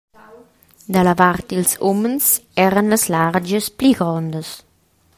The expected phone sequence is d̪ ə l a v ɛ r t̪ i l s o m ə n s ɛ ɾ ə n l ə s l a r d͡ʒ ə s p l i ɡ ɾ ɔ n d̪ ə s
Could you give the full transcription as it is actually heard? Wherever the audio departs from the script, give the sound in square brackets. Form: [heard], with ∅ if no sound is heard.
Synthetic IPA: d̪ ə l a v [a] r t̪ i l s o m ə n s ɛ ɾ ə n l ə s l a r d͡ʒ ə s p l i ɡ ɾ ɔ n d̪ ə s